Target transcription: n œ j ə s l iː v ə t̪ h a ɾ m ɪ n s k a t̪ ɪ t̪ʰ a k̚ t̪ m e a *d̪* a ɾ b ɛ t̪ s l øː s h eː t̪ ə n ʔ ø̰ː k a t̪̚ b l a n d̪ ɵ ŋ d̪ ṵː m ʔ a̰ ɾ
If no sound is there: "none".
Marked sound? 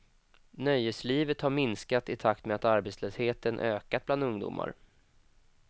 t̪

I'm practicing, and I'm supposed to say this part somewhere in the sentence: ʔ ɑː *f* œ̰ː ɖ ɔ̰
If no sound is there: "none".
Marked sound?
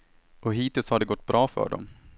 f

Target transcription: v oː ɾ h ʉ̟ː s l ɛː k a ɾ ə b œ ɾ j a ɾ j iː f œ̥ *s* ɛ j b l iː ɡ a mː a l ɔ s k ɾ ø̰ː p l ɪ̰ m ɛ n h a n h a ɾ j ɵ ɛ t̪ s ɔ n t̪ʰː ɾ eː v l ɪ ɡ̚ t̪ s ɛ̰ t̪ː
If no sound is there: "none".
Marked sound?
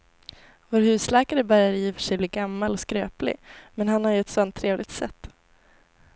ʂ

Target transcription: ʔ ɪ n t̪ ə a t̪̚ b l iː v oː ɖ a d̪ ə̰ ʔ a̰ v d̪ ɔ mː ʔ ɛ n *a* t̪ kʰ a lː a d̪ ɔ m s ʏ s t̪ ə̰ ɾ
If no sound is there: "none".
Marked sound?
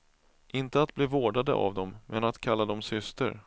a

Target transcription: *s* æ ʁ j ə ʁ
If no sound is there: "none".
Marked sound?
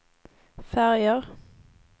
f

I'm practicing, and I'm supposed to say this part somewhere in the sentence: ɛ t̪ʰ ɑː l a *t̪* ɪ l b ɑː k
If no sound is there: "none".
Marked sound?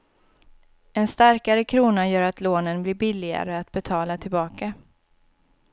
t̪ʰ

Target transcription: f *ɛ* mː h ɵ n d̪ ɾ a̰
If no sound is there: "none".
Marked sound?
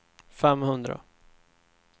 ɛ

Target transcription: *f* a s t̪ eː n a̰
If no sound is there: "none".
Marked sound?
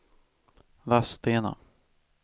v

